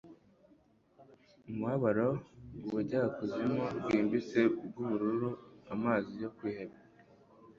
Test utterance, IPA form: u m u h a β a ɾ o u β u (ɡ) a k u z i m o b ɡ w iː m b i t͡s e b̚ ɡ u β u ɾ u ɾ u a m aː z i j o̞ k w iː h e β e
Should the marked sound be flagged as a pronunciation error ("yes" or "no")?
yes